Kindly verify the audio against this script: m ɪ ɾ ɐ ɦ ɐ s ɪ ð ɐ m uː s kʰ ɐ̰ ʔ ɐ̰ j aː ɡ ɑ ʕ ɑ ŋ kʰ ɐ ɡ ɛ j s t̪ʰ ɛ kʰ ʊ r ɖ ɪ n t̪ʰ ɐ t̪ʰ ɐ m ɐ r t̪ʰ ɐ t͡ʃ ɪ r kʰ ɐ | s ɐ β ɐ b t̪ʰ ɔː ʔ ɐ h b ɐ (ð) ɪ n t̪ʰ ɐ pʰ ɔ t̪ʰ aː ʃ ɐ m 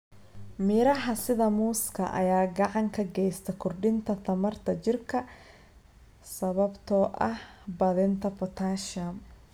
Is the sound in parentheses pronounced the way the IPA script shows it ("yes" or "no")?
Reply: yes